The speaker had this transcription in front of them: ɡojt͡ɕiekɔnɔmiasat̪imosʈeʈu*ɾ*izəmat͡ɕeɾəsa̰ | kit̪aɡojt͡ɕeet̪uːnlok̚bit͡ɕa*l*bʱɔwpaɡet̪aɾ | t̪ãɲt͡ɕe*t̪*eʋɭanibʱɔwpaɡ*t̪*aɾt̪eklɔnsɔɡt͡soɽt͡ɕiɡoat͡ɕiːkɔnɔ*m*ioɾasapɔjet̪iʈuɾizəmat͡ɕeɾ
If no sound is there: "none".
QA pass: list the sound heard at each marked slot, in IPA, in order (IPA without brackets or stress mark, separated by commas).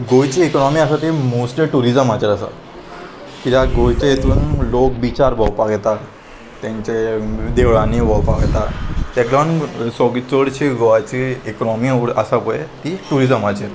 ɾ, ɾ, d̪, t̪, m